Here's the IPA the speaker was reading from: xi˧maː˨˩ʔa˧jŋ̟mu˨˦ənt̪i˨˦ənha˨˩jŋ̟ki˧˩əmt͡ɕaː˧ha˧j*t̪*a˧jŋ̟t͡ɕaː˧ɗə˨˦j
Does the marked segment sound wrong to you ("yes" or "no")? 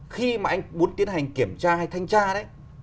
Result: yes